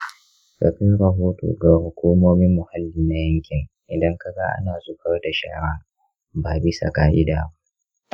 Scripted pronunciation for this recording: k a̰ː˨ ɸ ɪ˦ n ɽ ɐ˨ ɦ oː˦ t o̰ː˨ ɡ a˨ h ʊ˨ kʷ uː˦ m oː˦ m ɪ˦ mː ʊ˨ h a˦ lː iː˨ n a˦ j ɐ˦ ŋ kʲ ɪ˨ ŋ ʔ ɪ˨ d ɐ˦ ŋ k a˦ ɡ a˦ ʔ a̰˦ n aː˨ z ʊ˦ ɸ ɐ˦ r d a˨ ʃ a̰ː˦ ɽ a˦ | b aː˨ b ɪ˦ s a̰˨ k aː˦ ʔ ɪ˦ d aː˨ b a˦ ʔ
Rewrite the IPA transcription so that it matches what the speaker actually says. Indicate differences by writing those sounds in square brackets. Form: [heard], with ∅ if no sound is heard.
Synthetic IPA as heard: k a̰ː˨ ɸ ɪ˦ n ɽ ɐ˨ ɦ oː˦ t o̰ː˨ ɡ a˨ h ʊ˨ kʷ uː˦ m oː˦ m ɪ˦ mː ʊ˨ h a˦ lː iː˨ n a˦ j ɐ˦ ŋ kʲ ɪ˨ ŋ ʔ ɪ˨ d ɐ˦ ŋ k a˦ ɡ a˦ ʔ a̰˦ n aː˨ z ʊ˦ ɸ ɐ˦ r d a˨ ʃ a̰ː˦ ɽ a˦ | b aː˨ b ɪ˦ s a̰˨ k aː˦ ʔ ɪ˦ d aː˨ b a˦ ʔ